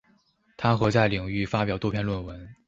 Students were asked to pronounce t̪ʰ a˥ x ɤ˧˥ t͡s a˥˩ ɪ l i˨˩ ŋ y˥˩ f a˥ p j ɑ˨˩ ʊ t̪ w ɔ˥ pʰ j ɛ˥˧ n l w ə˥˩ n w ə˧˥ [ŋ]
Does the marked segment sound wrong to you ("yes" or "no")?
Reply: yes